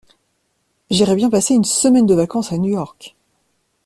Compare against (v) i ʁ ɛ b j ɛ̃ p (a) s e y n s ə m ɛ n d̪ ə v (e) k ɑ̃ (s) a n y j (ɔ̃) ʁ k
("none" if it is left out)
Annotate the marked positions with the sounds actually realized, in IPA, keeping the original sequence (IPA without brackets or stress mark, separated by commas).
ʒ, a, a, s, ɔ